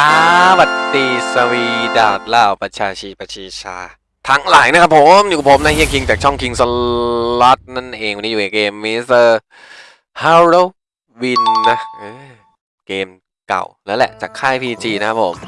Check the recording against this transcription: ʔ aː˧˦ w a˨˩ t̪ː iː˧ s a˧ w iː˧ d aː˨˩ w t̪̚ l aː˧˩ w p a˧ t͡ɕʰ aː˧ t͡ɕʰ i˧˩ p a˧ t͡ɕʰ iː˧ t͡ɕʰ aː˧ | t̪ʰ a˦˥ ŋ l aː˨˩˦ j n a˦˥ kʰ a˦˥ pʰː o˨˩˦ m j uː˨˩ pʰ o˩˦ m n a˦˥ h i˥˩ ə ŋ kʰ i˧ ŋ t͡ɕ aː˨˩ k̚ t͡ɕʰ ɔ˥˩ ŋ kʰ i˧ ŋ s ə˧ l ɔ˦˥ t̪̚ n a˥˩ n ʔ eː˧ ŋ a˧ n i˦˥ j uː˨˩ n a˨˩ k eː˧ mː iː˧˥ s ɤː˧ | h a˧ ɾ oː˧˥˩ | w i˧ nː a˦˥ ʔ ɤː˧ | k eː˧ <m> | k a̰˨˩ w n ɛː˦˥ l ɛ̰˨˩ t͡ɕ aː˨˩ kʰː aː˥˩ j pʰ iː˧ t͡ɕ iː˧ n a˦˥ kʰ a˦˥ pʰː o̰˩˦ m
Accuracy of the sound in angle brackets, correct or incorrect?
correct